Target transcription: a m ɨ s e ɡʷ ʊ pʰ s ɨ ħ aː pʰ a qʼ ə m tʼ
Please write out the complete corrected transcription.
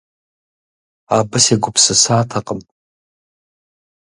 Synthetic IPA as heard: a b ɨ s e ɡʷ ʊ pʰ s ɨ s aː tʰ a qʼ ə m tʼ